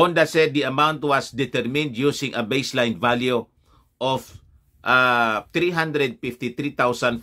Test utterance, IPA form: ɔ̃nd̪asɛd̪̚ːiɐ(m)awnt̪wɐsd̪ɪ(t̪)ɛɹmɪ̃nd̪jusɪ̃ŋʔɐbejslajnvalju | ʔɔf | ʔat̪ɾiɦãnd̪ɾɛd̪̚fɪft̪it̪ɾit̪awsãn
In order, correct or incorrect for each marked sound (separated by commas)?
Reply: correct, correct